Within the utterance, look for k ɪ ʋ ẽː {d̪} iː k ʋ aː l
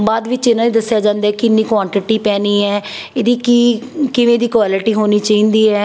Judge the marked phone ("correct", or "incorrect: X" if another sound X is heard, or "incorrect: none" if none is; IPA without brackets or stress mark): correct